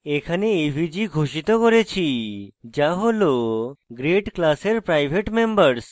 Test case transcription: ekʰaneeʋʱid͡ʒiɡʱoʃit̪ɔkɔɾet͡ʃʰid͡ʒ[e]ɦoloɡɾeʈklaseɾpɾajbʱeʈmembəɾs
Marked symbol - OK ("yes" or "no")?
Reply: no